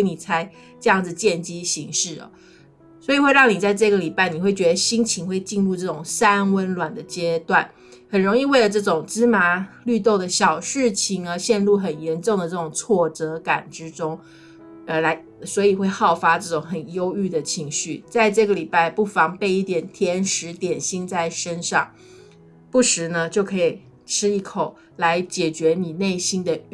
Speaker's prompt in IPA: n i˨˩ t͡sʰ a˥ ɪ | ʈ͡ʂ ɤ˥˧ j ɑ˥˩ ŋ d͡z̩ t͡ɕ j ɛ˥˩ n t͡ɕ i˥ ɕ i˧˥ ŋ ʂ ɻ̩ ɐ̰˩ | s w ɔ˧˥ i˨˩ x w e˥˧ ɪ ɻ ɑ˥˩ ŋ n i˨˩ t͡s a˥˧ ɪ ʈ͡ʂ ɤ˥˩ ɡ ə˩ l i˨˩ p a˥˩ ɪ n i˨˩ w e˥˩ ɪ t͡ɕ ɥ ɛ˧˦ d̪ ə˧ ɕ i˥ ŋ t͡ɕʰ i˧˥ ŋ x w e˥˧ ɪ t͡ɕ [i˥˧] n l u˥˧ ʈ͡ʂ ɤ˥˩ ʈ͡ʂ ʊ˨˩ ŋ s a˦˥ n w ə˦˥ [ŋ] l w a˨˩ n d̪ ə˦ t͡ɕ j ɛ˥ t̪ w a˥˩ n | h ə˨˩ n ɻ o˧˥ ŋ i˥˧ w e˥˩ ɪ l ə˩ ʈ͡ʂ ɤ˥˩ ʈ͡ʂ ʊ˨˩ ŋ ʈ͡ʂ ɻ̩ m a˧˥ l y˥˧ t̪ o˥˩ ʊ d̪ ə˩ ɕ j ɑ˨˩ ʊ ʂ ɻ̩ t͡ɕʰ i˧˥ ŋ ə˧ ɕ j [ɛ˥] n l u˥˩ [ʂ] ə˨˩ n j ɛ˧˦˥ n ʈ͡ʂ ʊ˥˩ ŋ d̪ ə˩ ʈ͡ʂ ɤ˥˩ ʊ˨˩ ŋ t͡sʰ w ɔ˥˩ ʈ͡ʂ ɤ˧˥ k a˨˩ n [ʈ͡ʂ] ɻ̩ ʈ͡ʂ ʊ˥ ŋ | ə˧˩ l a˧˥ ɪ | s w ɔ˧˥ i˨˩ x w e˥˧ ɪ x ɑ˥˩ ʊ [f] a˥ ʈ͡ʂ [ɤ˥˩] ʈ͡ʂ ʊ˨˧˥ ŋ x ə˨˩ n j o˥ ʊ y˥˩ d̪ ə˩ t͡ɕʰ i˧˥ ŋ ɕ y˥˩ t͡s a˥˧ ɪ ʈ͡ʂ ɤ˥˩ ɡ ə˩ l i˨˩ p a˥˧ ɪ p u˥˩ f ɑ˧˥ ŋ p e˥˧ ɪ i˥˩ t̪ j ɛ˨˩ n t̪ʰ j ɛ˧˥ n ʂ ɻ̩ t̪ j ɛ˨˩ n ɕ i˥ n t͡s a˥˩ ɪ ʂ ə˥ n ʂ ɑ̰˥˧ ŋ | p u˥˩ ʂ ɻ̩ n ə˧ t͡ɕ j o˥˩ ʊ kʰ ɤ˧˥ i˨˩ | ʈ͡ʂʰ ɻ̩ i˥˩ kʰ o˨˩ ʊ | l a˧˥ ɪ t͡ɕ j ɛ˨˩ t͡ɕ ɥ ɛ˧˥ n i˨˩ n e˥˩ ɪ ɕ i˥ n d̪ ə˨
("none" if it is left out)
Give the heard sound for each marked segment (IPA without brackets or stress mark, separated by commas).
i˥˧, n, ɛ˥˧, x, ʈ͡ʂ, f, ɤ˥˩